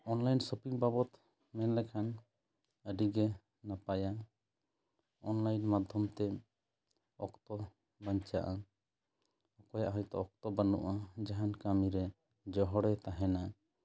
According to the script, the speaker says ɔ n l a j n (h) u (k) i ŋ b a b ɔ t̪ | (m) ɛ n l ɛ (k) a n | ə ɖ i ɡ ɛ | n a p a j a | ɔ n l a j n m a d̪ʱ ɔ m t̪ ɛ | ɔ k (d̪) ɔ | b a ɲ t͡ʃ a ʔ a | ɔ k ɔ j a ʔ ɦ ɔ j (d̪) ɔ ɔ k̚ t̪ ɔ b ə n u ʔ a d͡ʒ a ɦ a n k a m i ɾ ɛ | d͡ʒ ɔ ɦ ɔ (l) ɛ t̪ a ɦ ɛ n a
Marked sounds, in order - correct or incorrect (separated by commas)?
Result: incorrect, incorrect, correct, incorrect, incorrect, incorrect, incorrect